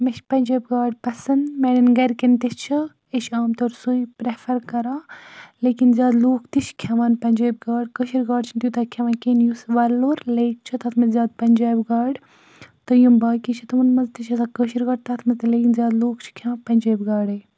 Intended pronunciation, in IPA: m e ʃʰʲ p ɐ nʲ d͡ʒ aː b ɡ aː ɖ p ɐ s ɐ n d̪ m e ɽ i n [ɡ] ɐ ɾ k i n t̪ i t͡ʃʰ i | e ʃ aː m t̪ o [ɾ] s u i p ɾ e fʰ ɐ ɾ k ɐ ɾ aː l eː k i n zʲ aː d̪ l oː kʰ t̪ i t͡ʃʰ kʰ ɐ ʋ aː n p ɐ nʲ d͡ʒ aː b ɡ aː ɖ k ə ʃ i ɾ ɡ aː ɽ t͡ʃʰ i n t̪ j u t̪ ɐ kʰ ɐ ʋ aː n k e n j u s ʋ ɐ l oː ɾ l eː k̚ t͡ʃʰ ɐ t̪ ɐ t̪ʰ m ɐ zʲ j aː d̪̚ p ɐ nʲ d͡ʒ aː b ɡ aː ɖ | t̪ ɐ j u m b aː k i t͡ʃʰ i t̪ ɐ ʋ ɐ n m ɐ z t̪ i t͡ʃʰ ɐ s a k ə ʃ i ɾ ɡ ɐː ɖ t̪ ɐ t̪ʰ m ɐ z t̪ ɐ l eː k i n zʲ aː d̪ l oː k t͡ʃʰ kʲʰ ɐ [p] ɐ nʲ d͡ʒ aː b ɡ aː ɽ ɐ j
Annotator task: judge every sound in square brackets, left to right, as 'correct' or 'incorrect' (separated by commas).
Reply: correct, correct, correct